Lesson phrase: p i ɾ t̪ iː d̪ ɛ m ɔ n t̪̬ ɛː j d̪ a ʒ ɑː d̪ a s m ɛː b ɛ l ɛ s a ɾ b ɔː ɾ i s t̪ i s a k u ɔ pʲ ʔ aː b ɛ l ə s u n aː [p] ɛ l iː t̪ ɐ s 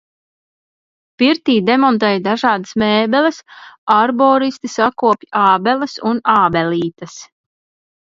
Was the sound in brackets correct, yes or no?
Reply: no